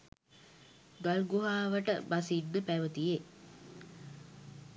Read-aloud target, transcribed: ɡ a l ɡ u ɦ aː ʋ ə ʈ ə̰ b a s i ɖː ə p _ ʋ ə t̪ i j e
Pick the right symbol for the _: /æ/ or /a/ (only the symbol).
æ